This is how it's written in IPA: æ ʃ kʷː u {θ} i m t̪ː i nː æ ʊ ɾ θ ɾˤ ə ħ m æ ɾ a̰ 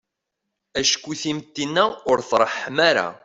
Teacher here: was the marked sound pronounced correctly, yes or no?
yes